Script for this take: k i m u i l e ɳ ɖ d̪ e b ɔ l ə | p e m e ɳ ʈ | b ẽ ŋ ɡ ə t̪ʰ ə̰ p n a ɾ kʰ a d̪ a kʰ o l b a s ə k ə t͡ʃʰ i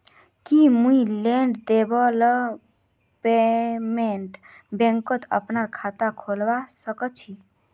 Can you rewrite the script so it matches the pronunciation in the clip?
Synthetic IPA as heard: k i m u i l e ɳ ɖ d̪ e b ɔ l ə | p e m e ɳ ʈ | b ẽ ŋ k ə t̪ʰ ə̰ p n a ɾ kʰ a t̪ a kʰ o l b a s ə k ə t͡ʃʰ i